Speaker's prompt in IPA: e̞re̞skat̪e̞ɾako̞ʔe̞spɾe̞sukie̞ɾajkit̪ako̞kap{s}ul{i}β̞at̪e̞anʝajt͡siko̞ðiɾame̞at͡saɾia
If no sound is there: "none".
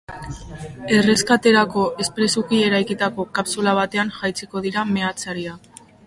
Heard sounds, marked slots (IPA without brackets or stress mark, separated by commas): s, a